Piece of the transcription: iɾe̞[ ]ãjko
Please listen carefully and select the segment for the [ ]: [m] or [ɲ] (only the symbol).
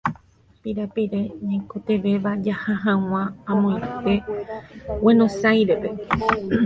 ɲ